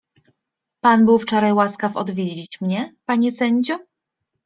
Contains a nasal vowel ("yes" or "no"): no